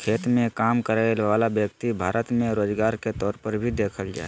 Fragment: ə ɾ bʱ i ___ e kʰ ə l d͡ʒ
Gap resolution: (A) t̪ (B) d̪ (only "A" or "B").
B